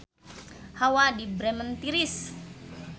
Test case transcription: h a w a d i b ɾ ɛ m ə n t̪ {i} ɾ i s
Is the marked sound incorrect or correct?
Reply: correct